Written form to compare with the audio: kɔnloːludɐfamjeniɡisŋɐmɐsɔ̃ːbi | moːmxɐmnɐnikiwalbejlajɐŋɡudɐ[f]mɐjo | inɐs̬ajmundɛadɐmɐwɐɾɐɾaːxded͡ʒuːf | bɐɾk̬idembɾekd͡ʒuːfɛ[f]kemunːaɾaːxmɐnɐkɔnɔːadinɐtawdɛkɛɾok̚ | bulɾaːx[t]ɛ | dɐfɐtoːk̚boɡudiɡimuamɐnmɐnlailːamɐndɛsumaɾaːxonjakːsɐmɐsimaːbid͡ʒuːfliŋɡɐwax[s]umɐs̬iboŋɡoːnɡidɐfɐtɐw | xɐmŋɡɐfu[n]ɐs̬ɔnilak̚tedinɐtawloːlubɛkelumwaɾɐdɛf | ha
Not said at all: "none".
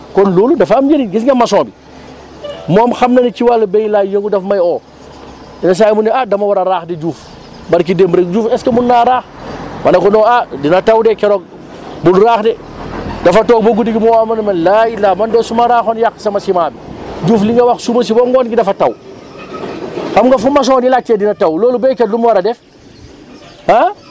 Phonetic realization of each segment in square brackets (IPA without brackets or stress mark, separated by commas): f, s, d, s, m